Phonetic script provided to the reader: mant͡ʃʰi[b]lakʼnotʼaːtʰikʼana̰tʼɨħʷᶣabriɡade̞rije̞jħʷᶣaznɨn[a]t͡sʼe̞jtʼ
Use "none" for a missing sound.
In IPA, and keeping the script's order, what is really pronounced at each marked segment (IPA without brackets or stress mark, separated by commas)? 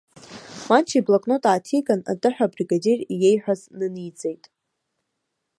b, i